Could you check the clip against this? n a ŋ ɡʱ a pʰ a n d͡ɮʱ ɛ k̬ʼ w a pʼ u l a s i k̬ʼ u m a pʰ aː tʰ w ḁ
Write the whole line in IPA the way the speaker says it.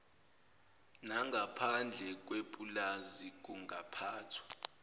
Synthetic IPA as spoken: n a ŋ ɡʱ a pʰ a n d͡ɮʱ ɛ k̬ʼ w e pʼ u l a z i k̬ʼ u ŋ a pʰ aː tʰ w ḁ